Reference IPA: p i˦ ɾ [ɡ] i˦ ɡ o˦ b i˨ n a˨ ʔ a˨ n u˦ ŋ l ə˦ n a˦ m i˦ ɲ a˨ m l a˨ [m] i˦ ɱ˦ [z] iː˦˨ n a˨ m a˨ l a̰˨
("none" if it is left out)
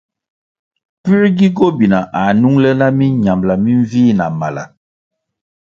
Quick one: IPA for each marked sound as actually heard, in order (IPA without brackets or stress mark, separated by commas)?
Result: ɡ, m, v